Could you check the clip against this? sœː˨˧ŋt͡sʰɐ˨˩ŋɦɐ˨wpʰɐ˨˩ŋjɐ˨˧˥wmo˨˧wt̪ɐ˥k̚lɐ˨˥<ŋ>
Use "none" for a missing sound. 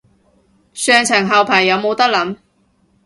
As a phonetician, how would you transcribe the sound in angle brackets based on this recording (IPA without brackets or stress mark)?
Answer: m